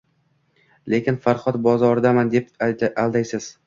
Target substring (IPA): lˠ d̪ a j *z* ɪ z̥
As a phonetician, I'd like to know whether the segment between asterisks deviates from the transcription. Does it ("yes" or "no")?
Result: yes